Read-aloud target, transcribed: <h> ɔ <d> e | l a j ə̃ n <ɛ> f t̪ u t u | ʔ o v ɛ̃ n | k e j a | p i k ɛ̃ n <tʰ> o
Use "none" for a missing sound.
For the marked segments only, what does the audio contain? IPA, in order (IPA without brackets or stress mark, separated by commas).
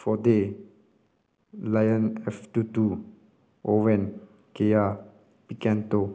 f, d, ɛ, t